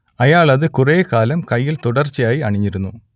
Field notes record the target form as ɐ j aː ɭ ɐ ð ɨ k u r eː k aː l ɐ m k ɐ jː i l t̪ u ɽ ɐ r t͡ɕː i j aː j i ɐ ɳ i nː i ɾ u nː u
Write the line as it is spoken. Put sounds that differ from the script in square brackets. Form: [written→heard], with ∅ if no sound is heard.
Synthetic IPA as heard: ɐ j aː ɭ ɐ ð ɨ k u r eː k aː l ɐ m k ɐ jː i l t̪ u ɽ ɐ r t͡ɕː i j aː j i ɐ ɳ i [nː→ɲː] i ɾ u nː u